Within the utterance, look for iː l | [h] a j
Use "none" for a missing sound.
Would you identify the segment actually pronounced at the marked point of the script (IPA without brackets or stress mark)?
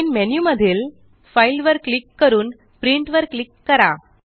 f